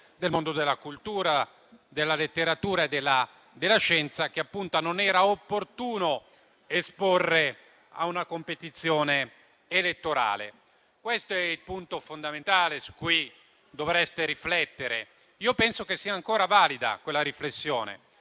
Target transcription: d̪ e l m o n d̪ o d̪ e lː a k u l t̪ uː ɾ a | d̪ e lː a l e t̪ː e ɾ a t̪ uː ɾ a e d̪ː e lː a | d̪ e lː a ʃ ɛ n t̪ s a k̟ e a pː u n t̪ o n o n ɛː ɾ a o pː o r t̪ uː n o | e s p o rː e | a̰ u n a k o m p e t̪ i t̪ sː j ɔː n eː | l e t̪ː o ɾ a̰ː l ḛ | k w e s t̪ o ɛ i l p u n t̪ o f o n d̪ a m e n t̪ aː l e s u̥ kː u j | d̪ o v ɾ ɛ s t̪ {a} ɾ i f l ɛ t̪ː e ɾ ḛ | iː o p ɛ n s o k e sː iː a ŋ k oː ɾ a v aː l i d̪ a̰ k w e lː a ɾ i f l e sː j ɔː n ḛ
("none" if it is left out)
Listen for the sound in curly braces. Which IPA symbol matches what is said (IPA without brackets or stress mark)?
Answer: e